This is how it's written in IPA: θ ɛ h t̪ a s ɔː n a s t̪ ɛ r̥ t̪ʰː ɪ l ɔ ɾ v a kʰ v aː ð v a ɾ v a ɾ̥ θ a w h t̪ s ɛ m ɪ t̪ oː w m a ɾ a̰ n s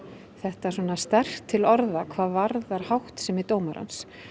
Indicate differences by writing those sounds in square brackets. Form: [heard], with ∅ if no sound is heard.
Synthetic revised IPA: θ ɛ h t̪ a s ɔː n a s t̪ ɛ r̥ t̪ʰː ɪ l ɔ ɾ [ð] a kʰ v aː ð v a ɾ [ð] a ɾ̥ [h] a w h t̪ s ɛ m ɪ t̪ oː w m a ɾ a̰ n s